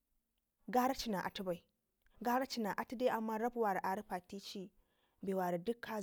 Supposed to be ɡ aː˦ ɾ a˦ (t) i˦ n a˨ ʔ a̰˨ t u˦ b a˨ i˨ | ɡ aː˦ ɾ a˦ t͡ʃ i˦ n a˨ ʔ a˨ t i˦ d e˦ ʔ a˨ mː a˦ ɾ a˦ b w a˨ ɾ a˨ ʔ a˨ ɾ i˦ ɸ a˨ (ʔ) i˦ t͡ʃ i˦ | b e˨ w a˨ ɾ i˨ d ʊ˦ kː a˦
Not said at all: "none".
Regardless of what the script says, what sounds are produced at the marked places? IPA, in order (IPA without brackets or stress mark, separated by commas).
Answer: t͡ʃ, t